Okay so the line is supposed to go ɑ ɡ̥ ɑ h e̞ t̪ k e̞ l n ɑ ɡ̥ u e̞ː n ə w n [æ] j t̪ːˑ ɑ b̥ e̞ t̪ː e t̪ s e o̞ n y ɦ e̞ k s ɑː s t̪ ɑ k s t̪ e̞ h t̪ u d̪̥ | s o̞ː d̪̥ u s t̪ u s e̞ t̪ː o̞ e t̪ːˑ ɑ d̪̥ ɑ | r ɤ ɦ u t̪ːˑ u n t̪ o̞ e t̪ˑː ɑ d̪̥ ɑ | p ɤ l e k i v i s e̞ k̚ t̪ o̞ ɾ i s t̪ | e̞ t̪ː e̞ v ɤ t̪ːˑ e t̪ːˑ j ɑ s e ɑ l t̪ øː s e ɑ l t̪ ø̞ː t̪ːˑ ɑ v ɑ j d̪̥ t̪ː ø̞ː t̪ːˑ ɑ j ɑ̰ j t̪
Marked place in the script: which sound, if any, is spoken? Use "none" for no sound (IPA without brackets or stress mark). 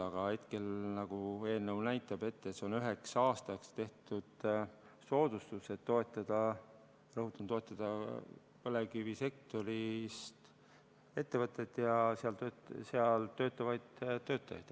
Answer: æ